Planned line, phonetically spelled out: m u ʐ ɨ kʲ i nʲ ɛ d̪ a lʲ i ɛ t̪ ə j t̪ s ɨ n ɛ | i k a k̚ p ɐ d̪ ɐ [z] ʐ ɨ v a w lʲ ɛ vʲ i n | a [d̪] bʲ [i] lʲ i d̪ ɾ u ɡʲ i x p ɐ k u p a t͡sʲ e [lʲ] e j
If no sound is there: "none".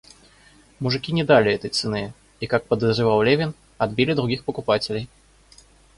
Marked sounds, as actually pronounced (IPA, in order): z, d̪, i, lʲ

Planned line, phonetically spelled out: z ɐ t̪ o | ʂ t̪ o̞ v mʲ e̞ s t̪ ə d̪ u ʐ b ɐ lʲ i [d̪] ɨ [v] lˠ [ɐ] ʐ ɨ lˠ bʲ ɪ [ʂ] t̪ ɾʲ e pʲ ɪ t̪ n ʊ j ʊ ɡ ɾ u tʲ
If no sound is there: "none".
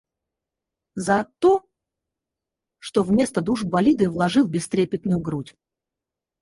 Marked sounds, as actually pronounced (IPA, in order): d̪, v, ɐ, s

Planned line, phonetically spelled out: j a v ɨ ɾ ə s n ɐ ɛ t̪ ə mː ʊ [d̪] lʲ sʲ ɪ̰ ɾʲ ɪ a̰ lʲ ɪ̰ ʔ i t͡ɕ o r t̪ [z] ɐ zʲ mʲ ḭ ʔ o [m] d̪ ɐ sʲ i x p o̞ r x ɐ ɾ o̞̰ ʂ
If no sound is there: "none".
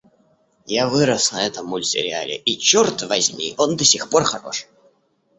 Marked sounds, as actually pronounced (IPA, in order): none, v, n

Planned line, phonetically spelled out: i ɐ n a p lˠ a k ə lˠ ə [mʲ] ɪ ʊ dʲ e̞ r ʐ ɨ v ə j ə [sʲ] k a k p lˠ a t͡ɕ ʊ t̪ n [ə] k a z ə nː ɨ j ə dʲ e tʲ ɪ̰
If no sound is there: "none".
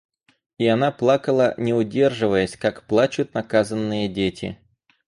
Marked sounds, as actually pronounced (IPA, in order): nʲ, sʲ, ɐ

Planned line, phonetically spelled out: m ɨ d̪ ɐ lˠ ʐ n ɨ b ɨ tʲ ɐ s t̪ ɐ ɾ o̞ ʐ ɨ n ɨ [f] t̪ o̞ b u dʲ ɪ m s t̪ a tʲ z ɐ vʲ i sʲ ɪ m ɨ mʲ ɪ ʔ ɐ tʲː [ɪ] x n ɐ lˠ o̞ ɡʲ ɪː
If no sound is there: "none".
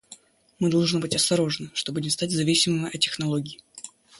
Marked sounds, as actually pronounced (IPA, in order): ʂ, ɪ

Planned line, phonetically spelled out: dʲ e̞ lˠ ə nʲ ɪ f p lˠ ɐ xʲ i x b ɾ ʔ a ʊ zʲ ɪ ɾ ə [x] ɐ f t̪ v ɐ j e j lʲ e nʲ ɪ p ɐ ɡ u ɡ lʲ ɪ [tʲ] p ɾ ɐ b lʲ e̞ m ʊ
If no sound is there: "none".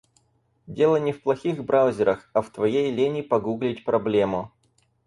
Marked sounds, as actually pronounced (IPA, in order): x, tʲ

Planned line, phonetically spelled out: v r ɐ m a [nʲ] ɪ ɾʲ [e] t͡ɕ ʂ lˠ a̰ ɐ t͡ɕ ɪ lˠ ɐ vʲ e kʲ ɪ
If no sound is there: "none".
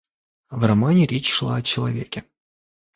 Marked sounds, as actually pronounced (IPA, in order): nʲ, e

